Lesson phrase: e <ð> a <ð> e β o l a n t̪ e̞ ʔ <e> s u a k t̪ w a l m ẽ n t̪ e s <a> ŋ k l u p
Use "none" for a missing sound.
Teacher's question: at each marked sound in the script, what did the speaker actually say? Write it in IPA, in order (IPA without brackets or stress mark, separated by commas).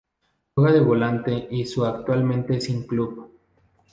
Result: ɣ, ð, i, i